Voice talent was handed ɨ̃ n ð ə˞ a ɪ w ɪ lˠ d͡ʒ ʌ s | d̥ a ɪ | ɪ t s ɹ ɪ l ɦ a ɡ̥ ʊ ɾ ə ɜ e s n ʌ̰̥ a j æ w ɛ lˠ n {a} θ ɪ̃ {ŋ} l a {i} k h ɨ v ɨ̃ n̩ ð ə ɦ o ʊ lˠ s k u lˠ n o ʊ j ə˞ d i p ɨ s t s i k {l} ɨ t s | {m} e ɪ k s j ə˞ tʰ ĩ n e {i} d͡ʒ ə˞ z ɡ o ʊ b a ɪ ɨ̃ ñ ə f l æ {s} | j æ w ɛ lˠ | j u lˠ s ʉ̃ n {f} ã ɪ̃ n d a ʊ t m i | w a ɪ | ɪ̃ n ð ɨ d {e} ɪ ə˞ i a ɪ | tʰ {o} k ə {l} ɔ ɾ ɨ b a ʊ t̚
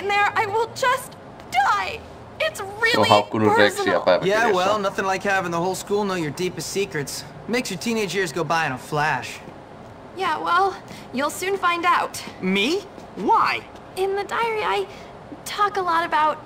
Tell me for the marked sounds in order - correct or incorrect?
incorrect: ʌ, correct, incorrect: ɪ, incorrect: ɹ, correct, incorrect: ɪ, incorrect: ʃ, correct, incorrect: a, incorrect: ɔ, correct

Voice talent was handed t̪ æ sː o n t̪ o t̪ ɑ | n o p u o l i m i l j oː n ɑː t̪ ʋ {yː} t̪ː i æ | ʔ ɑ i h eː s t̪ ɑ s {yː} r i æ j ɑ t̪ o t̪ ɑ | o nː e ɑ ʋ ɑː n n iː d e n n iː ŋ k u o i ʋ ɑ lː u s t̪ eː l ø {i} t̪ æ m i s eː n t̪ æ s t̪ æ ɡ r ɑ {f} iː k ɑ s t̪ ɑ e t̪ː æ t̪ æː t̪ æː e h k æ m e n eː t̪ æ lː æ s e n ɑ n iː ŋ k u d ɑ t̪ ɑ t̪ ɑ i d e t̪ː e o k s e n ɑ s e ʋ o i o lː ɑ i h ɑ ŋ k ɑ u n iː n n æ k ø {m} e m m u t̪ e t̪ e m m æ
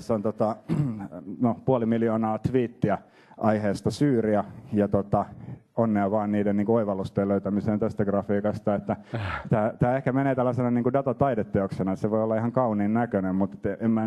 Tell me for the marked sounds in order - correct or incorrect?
incorrect: iː, correct, incorrect: y, correct, incorrect: n

